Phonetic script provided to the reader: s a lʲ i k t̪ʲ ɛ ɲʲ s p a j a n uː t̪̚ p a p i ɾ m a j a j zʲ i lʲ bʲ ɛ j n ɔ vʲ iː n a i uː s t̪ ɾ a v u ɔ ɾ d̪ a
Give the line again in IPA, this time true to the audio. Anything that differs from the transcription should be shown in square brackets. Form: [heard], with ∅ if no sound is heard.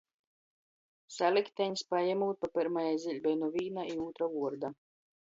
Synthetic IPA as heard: s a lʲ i k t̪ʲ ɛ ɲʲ s p a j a [m] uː t̪̚ p a p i ɾ m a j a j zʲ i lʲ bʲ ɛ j n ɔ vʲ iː n a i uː [∅] t̪ ɾ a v u ɔ ɾ d̪ a